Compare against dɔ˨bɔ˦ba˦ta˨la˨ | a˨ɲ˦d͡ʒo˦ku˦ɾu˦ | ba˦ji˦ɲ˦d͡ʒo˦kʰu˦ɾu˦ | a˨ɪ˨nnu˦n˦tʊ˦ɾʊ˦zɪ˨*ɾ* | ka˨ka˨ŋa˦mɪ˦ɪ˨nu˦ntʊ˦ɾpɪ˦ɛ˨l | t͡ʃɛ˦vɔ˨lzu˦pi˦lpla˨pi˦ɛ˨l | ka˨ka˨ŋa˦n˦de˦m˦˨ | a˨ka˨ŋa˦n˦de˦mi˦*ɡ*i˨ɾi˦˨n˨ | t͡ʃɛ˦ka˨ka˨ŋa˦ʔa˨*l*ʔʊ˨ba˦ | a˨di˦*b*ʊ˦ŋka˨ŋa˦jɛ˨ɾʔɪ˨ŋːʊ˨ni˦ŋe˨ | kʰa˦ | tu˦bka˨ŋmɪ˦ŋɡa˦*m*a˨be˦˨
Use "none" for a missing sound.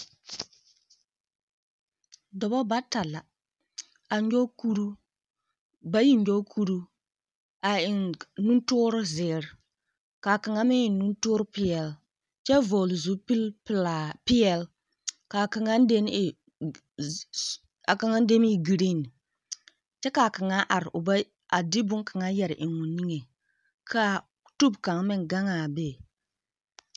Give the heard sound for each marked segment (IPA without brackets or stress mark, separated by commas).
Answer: ɾ, ɡ, ɾ, b, ŋ